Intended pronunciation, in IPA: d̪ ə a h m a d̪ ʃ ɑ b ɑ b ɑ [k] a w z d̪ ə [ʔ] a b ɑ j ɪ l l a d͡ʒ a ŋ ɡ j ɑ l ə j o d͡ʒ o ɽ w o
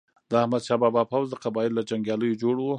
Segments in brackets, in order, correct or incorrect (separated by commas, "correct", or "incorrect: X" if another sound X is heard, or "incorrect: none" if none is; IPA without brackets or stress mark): incorrect: p, incorrect: q